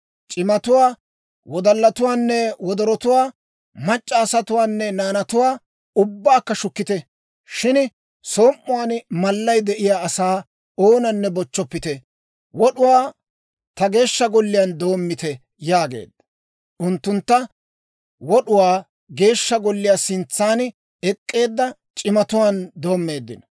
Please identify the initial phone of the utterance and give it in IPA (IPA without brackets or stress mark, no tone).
t͡ʃʼ